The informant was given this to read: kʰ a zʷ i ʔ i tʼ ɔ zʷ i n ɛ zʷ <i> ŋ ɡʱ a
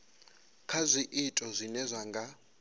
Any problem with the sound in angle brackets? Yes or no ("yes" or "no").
yes